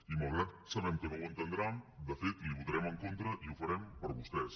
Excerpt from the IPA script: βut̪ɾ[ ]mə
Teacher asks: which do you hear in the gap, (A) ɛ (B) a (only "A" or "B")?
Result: A